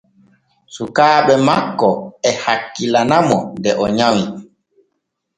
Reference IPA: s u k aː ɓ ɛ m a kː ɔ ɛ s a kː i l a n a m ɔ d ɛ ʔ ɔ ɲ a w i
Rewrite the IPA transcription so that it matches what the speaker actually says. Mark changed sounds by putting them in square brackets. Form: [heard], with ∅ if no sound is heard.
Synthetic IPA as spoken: s u k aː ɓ ɛ m a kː ɔ ɛ [h] a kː i l a n a m ɔ d ɛ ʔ ɔ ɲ a w i

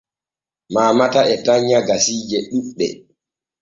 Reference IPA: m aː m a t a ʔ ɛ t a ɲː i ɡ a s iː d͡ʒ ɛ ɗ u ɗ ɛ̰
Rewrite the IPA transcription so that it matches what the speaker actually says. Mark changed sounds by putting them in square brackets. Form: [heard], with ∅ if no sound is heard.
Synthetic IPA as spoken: m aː m a t a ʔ ɛ t a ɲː [a] ɡ a s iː d͡ʒ ɛ ɗ u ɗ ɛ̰

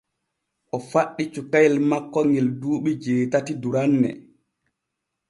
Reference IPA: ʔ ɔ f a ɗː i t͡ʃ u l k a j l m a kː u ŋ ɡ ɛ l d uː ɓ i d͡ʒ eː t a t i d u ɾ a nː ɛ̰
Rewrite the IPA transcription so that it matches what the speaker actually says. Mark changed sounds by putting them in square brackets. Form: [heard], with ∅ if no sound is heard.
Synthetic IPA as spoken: ʔ ɔ f a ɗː i t͡ʃ u [∅] k a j l m a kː [ɔ] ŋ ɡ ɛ l d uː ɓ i d͡ʒ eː t a t i d u ɾ a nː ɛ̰

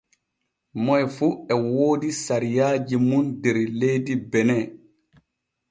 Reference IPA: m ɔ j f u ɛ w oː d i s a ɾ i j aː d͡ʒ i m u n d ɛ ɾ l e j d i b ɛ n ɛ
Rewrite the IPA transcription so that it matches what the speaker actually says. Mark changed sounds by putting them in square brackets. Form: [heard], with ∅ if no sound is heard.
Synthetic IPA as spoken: m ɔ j f u ɛ w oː d i s a ɾ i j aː d͡ʒ i m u n d ɛ ɾ l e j d i b ɛ n ɛ

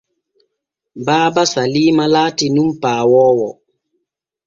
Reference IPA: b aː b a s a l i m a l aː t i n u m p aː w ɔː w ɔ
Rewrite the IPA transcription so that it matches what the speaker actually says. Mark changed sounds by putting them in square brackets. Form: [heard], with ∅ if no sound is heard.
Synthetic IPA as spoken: b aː b a s a l i m a l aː t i n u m p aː w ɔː w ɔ

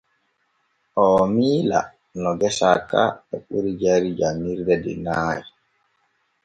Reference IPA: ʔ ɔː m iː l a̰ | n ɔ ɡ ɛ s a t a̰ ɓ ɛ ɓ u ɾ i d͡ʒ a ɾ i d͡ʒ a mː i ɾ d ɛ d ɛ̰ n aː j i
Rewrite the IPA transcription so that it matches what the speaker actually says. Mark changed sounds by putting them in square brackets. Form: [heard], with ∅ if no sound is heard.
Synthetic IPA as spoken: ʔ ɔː m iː l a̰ | n ɔ ɡ ɛ s a [k] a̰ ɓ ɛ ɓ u ɾ i d͡ʒ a ɾ i d͡ʒ a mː i ɾ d ɛ d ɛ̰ n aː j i

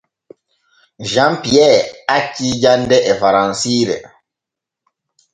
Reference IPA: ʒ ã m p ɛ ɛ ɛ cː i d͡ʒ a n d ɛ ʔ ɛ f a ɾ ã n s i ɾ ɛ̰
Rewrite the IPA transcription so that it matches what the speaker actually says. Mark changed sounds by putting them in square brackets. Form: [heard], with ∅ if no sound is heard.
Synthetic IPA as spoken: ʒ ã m p [i] ɛ [a] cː i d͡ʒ a n d ɛ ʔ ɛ f a ɾ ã n s i ɾ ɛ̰

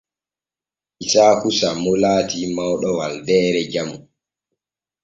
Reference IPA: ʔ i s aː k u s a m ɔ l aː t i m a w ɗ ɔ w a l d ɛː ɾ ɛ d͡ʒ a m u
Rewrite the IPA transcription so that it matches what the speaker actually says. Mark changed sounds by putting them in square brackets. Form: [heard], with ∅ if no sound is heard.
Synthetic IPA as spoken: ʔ i s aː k u s a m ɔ l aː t i m a w ɗ ɔ w a l d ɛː ɾ ɛ d͡ʒ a m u

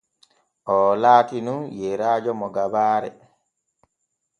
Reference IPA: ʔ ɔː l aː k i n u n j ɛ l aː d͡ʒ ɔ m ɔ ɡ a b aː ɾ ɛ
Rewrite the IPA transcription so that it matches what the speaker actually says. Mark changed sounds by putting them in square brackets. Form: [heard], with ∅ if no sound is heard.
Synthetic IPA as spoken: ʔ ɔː l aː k i n u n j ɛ [ɾ] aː d͡ʒ ɔ m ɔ ɡ a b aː ɾ ɛ

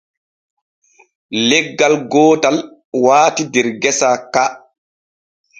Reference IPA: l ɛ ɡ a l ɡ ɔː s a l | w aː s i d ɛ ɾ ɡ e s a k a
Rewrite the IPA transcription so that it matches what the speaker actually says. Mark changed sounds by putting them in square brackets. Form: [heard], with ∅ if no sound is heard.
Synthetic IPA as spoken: l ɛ [ɡː] a l ɡ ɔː [t] a l | w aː [t] i d ɛ ɾ ɡ [ɛ] s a k a

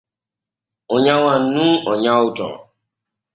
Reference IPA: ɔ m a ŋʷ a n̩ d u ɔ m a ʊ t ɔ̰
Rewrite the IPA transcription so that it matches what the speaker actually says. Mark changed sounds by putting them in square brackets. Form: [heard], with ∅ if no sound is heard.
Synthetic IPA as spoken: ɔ [ɲ] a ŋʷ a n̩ [n] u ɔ [ɲ] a ʊ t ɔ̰

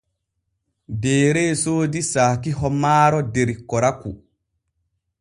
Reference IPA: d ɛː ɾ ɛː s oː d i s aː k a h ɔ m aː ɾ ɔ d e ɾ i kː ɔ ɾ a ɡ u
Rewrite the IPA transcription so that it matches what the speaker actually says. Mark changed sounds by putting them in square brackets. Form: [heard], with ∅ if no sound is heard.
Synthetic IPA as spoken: d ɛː ɾ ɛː s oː d i s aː k [i] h ɔ m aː ɾ ɔ d e ɾ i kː ɔ ɾ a [k] u

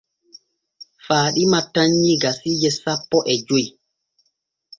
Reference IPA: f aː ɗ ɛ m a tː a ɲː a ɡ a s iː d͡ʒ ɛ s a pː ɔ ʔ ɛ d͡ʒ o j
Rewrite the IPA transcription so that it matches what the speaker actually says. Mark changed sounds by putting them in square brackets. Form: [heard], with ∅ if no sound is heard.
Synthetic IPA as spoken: f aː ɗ [i] m a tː a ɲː [i] ɡ a s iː d͡ʒ ɛ s a pː ɔ ʔ ɛ d͡ʒ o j

